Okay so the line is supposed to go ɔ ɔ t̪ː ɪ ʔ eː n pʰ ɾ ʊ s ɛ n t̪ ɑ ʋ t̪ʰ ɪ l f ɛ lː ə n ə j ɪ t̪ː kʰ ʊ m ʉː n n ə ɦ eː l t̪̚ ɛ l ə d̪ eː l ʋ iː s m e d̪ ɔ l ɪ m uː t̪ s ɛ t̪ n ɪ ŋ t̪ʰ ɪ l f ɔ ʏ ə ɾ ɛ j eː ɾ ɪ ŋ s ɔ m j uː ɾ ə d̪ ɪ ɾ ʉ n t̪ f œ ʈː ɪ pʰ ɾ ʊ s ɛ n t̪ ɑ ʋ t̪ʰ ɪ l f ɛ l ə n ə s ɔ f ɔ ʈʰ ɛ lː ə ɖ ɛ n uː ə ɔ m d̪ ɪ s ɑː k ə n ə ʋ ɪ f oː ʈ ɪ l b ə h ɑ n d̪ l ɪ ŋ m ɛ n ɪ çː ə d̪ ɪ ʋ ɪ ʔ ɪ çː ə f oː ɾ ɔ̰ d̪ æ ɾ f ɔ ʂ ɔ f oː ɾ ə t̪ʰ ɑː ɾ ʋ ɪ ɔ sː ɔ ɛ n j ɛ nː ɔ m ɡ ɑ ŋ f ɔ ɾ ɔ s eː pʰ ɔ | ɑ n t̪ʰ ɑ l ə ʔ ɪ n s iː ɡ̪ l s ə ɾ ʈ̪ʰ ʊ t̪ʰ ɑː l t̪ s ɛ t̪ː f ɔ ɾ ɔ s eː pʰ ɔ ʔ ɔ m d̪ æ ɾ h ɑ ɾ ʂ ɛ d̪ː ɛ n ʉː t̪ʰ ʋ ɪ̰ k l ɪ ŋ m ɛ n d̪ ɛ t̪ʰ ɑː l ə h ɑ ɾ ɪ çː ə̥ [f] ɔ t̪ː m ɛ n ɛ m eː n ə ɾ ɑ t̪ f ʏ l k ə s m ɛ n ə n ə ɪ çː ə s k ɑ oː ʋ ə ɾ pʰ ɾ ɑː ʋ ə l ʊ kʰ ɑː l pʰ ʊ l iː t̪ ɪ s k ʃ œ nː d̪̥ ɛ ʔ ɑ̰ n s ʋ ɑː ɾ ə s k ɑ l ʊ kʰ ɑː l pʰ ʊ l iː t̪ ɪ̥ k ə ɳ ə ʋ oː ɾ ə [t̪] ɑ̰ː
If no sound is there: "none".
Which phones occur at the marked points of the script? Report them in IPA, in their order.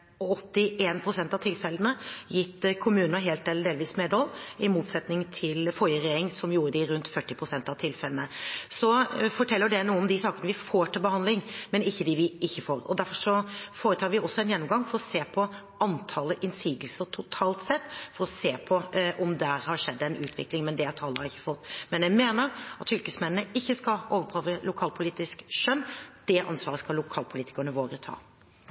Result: f, t̪ʰ

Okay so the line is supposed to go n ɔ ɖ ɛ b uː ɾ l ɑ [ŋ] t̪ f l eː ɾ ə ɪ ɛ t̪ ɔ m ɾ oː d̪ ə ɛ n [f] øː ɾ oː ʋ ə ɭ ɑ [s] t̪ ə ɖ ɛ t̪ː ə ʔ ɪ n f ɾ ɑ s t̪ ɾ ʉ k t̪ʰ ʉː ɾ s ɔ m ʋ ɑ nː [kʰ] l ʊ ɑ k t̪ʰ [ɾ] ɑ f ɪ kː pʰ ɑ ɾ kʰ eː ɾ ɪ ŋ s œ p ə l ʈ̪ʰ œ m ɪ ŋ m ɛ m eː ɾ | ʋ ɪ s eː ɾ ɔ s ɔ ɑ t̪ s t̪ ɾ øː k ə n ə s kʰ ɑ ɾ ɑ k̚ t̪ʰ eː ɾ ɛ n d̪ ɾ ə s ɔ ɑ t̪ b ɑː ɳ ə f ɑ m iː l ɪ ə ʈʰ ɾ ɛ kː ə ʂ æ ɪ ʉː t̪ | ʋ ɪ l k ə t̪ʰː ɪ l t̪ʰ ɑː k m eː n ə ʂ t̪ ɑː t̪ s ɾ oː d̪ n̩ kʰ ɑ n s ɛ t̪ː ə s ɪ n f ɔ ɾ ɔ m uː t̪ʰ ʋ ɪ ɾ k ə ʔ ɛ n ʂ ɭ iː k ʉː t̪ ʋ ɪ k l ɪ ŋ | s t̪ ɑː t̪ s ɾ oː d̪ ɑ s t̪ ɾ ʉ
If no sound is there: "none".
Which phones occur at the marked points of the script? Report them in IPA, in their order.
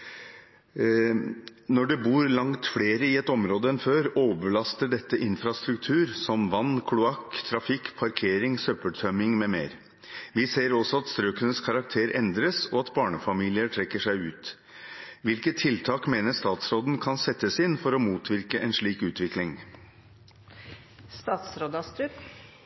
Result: ŋ, f, s, kʰ, ɾ

